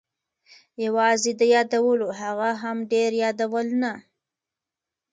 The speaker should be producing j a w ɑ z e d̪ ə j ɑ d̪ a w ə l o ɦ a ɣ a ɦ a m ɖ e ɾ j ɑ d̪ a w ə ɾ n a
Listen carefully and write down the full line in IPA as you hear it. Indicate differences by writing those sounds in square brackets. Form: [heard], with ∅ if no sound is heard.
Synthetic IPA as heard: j a w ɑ z e d̪ ə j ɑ d̪ a w ə l o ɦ a ɣ a ɦ a m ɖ e ɾ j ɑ d̪ a w ə [l] n a